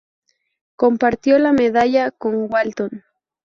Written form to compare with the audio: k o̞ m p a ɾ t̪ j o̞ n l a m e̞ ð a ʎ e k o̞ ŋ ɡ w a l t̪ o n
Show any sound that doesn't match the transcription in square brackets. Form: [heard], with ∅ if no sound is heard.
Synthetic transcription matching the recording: k o̞ m p a ɾ t̪ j o̞ [∅] l a m e̞ ð a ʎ [a] k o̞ ŋ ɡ w a l t̪ o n